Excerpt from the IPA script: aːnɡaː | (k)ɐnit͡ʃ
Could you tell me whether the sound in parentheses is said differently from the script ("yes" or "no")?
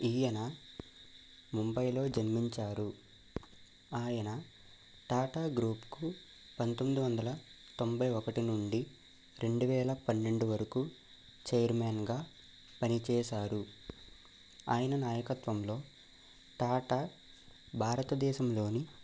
yes